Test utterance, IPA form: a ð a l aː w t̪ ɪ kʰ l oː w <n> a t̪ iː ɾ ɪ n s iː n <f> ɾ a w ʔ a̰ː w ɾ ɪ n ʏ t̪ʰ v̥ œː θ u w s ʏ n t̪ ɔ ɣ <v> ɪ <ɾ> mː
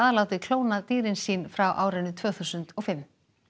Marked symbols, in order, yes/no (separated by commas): yes, yes, no, no